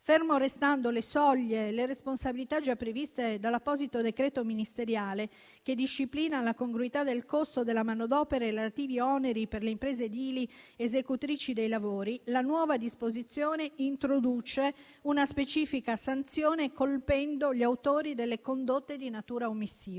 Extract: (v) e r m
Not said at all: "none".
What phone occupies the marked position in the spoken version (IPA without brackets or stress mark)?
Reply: f